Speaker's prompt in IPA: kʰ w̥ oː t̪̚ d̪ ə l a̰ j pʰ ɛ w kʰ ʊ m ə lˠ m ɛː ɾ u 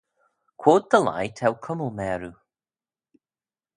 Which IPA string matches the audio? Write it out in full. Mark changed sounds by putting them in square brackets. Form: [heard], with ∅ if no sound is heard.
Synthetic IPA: kʰ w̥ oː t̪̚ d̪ ə l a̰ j [tʰ] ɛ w kʰ ʊ m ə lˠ m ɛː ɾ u